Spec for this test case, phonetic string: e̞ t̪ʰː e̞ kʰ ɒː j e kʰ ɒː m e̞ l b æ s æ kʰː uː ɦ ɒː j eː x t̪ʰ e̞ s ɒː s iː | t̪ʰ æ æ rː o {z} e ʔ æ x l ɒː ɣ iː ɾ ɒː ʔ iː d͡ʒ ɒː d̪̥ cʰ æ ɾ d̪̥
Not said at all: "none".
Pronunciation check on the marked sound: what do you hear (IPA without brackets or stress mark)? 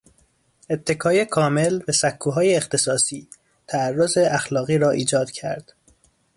z